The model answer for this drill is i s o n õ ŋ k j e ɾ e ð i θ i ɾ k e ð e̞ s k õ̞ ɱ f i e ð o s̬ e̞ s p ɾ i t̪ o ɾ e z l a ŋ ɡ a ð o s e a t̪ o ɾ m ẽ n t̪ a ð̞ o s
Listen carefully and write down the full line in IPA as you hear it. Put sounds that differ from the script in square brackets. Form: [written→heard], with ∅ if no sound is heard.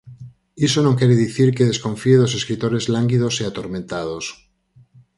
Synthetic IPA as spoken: i s o n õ ŋ k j e ɾ e ð i θ i ɾ k e ð e̞ s k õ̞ ɱ f i e ð o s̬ e̞ s [p→k] ɾ i t̪ o ɾ e z l a ŋ ɡ [a→i] ð o s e a t̪ o ɾ m ẽ n t̪ a ð̞ o s